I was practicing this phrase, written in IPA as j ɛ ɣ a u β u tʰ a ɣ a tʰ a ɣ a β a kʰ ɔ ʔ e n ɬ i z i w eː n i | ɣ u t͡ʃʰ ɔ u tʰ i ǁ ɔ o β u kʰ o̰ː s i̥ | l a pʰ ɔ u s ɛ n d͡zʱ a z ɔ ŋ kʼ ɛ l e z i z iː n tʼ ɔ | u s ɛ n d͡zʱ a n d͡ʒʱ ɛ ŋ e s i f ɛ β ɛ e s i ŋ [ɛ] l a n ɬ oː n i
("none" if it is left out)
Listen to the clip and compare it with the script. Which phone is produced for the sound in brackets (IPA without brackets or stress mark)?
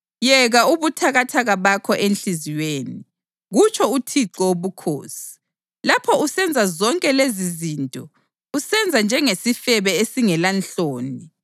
ɛ